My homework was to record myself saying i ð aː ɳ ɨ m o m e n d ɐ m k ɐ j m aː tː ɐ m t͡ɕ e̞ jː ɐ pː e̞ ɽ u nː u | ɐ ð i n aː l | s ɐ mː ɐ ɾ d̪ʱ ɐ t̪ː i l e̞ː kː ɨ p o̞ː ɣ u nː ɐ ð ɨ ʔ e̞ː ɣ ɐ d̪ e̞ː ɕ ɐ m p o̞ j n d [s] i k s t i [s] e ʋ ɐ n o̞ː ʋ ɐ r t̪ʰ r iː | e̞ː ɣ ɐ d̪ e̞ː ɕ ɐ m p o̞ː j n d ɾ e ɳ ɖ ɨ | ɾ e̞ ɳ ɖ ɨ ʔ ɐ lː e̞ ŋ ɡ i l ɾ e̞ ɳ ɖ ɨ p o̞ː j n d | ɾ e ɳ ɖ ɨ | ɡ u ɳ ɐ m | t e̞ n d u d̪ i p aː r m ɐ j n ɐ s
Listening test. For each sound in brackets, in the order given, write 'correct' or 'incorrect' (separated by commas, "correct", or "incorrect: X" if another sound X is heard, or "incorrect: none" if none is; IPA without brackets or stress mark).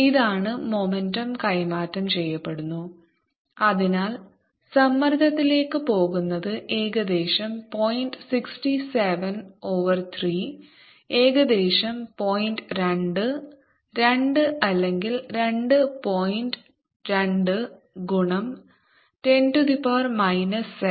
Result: correct, correct